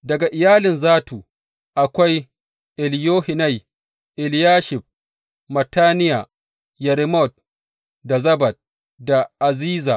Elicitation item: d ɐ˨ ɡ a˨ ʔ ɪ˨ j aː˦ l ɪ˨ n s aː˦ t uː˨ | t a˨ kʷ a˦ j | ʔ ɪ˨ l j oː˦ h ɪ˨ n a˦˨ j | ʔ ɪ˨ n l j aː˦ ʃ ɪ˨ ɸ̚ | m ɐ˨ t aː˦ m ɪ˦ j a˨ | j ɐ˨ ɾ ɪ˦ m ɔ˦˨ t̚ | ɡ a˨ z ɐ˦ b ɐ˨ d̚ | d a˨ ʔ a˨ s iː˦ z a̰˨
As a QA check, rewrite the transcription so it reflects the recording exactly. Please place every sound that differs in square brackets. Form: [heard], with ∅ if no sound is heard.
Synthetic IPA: d ɐ˨ ɡ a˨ ʔ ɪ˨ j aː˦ l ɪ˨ n [z] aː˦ t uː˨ | [ʔ] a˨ kʷ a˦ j | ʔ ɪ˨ l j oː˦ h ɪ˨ n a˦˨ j | ʔ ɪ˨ [∅] l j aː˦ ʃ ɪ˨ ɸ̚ | m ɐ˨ t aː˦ [n] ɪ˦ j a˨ | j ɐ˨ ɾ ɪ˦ m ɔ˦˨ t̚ | [d] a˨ z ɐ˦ b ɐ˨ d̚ | d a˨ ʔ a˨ [z] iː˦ z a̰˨